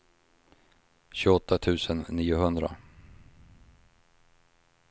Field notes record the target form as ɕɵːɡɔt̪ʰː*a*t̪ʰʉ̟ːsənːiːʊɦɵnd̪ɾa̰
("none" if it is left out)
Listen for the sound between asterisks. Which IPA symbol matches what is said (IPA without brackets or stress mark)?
a